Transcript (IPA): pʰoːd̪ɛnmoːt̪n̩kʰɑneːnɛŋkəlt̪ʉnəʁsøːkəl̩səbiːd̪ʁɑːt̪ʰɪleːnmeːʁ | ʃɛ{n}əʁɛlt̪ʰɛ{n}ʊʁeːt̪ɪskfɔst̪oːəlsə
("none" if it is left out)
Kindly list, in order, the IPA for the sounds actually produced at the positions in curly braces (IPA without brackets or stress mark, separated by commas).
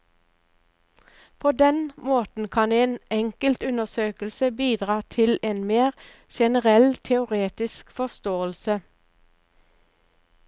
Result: n, none